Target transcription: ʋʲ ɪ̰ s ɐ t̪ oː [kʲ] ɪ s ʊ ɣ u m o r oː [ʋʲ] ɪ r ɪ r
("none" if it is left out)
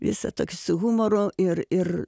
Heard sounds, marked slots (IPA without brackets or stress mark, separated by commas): kʲ, none